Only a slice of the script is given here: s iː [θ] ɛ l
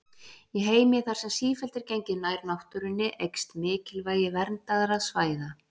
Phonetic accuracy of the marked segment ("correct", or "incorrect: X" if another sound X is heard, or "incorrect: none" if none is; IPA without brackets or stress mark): incorrect: f